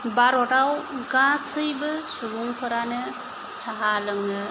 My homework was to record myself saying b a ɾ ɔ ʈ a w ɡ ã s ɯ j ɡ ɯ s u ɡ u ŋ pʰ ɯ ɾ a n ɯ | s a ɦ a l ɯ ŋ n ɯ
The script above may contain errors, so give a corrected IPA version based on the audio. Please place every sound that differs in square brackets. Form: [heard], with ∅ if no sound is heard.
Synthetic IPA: b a ɾ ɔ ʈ a w ɡ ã s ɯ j [b] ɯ s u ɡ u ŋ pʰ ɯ ɾ a n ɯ | s a ɦ a l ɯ ŋ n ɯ